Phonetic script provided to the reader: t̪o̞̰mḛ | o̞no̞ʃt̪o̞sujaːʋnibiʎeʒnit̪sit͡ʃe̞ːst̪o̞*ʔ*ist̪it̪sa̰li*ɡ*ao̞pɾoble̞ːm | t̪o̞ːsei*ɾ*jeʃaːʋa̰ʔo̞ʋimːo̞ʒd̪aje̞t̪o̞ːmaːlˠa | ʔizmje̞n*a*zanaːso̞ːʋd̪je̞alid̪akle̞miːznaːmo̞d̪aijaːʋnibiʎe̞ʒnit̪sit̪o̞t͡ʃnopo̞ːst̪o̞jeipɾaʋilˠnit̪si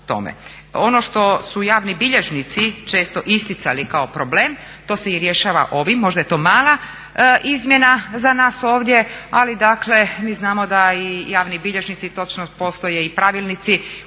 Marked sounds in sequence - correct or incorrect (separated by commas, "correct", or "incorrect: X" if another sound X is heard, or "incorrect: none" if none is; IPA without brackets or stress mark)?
correct, incorrect: k, correct, correct